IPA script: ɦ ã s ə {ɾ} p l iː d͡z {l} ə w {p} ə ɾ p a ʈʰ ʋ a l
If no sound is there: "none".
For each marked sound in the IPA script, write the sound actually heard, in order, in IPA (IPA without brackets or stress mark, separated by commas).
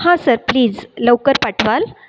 ɾ, l, k